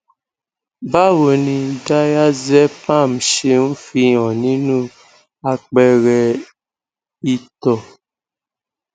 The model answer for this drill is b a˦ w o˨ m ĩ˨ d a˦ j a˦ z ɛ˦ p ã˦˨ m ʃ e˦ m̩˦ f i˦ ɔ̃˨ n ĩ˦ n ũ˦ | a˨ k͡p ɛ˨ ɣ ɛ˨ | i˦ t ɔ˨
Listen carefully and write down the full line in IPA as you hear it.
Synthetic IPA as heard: b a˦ w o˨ n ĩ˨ d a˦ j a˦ z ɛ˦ p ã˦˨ m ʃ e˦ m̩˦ f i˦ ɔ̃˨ n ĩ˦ n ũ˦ | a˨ k͡p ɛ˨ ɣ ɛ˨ | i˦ t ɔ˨